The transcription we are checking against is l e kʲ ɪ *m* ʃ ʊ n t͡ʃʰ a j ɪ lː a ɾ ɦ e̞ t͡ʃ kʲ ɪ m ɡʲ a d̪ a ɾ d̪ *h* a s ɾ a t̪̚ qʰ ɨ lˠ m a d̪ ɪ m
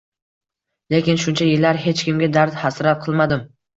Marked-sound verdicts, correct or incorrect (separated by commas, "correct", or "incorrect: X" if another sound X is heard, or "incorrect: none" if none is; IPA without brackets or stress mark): incorrect: n, correct